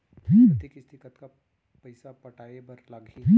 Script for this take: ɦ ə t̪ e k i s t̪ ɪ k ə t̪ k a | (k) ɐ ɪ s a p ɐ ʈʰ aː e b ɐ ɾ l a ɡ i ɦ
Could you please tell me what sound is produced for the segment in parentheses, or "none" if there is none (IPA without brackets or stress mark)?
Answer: p